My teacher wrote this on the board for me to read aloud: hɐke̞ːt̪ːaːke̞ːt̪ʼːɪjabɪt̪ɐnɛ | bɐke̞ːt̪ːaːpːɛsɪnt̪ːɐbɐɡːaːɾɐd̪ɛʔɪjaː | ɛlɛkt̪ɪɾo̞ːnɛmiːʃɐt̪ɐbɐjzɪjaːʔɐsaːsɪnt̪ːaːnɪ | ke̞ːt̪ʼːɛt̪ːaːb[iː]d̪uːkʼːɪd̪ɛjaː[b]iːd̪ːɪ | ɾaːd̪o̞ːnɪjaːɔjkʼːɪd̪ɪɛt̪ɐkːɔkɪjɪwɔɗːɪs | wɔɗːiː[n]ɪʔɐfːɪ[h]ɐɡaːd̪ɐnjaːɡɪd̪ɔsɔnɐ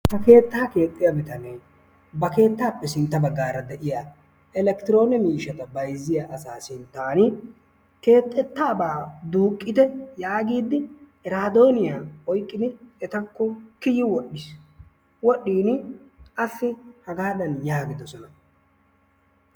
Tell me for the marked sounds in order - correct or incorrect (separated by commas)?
incorrect, incorrect, correct, correct